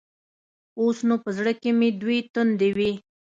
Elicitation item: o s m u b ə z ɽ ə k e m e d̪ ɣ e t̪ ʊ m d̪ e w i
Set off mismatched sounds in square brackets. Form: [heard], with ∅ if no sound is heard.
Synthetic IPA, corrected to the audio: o s [n] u [p] ə z ɽ ə k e m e d̪ [w] e t̪ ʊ [n] d̪ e w i